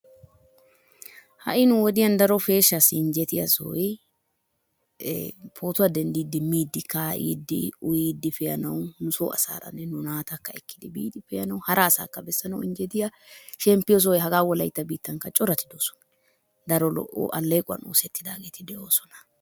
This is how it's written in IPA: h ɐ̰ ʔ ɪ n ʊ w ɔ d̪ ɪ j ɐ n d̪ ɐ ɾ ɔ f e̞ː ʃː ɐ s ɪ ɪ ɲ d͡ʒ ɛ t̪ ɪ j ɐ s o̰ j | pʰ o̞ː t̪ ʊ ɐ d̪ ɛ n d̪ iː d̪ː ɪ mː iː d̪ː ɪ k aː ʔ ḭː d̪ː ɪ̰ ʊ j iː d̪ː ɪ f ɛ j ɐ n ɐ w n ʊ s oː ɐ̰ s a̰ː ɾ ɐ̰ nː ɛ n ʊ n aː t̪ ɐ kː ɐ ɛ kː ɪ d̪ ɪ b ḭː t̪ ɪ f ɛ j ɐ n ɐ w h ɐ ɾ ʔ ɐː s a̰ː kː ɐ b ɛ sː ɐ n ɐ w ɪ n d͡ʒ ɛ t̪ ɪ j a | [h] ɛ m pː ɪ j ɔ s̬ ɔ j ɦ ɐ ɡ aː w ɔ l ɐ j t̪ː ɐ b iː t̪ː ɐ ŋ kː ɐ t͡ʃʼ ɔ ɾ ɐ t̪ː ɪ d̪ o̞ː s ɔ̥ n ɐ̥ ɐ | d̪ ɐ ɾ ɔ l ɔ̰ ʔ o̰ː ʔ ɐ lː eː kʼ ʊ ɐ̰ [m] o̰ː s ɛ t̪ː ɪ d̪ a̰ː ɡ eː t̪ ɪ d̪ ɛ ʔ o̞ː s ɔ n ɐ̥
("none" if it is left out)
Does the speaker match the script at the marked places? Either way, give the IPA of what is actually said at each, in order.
ʃ, n

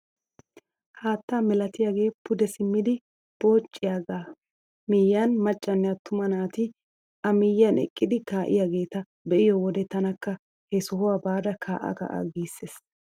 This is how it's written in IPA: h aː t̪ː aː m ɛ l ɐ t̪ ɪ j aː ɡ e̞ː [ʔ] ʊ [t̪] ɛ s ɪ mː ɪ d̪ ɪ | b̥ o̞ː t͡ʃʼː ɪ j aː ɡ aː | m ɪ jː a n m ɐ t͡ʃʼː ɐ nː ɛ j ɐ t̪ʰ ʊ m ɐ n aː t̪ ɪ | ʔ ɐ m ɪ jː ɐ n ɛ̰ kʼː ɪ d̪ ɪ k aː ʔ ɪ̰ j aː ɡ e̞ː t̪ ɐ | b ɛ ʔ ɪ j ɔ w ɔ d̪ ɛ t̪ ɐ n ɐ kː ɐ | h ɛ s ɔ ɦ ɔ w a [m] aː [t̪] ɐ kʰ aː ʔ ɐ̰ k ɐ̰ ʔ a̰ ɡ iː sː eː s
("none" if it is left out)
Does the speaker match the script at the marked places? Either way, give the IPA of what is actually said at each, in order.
p, d̪, b, d̪

